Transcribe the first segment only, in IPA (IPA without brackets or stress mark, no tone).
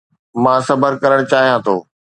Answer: m